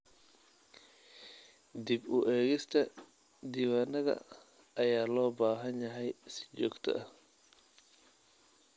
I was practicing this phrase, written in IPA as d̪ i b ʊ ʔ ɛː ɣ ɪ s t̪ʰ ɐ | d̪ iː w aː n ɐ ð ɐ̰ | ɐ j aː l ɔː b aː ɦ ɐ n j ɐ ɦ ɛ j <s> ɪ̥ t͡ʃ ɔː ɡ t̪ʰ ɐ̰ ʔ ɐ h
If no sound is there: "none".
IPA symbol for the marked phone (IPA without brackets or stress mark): s